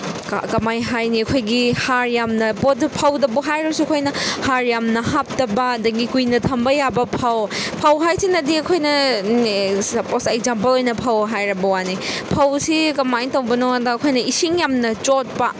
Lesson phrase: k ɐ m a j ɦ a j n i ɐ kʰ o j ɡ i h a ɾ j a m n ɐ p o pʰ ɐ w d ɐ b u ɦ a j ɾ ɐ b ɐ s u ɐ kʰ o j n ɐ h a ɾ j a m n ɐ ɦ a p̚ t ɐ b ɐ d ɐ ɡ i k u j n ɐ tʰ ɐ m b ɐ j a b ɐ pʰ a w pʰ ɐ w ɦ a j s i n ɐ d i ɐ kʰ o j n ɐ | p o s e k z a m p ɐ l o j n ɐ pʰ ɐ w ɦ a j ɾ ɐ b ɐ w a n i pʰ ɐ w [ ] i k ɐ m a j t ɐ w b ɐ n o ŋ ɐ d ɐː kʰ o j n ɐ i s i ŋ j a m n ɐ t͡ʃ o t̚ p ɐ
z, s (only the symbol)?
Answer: s